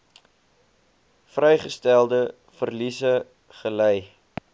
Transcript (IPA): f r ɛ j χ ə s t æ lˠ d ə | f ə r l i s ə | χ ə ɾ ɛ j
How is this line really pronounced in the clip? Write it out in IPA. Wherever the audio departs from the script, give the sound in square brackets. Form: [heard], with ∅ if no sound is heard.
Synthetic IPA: f r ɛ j χ ə s t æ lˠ d ə | f ə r l i s ə | χ ə [l] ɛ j

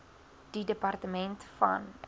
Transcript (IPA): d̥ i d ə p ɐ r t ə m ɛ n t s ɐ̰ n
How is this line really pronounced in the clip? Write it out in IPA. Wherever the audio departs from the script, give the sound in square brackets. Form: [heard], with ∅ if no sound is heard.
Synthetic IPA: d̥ i d ə p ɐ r t ə m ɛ n t [f] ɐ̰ n

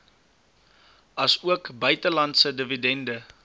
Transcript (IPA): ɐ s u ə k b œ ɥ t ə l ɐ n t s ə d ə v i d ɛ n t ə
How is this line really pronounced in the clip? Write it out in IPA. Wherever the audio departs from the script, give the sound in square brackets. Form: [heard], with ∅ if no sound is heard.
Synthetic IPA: ɐ s u ə k b œ ɥ t ə l ɐ n t s ə d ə v i d ɛ n [d] ə

